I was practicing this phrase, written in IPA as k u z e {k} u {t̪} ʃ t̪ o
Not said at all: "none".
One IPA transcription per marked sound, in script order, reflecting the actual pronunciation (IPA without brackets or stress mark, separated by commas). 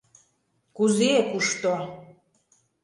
k, none